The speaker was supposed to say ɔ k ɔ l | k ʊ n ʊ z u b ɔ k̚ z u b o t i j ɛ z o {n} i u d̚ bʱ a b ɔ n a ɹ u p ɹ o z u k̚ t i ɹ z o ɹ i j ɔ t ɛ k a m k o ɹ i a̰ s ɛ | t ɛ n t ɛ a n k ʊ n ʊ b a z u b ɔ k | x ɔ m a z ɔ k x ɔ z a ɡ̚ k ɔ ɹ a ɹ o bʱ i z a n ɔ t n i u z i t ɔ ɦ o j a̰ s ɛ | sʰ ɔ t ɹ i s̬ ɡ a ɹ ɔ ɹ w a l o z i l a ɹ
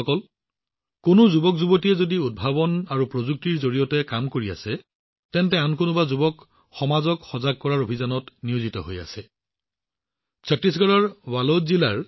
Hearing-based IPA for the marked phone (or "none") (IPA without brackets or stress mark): d